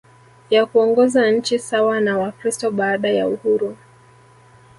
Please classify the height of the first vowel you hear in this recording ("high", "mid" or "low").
low